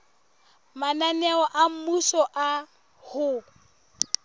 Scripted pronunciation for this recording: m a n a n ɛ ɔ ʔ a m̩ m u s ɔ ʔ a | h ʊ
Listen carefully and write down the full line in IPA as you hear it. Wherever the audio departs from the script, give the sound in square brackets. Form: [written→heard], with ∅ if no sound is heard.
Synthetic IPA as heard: m a n a n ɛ ɔ ʔ a m̩ m u s ɔ ʔ a | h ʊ